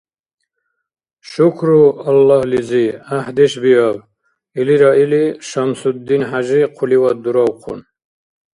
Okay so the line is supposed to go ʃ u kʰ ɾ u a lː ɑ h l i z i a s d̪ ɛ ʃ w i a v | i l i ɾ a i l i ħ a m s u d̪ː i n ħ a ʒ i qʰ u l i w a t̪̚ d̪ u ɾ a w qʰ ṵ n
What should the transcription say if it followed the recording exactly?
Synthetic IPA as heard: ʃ u kʰ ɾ u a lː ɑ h l i z i a ħ d̪ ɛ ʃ b i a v | i l i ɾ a i l i ʃ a m s u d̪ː i n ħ a ʒ i qʰ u l i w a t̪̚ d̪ u ɾ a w qʰ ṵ n